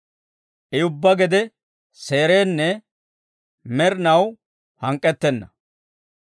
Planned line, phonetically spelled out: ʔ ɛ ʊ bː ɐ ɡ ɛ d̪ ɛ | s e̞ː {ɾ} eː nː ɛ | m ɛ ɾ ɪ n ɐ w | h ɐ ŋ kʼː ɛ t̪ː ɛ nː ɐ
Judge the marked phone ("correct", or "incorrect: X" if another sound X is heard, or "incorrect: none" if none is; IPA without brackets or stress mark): correct